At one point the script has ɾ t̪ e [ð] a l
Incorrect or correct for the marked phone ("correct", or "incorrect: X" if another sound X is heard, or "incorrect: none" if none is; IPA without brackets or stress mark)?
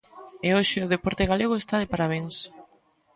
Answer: incorrect: ɣ